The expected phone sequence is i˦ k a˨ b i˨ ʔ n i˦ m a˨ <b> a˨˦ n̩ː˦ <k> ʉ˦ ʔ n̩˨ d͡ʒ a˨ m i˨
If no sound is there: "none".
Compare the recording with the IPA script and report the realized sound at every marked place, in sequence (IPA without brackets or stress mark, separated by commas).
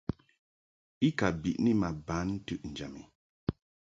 b, t